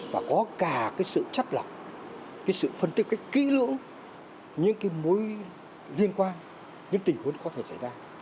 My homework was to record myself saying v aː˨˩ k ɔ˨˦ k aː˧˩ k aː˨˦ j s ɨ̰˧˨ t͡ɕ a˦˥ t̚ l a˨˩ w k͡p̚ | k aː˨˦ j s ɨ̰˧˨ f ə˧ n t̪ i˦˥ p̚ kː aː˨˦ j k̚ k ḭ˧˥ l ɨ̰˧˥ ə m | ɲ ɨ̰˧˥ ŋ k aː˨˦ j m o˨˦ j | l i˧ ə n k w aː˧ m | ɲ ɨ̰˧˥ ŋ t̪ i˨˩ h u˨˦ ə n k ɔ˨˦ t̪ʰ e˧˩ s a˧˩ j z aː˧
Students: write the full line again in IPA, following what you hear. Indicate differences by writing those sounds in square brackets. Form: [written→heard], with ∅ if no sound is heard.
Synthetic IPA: v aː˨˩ k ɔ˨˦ k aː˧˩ k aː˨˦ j s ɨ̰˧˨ t͡ɕ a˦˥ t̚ l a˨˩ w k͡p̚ | k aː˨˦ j s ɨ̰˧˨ f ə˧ n t̪ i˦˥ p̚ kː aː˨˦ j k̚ k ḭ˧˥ l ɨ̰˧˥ ə [m→ŋ] | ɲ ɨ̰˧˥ ŋ k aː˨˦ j m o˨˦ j | l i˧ ə n k w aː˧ [m→n] | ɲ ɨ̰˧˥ ŋ t̪ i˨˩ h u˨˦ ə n k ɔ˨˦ t̪ʰ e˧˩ s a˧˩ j z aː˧